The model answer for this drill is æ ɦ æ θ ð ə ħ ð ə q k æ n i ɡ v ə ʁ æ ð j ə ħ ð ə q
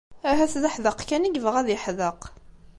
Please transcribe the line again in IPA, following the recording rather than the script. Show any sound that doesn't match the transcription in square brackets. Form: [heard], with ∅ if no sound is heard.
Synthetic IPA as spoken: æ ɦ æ θ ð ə ħ ð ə q k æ n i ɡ v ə ʁ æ ð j ə ħ ð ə q